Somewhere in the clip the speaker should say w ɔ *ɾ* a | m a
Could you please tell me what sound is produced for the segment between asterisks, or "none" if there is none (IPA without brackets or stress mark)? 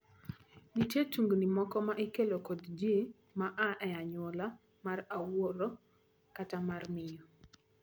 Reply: l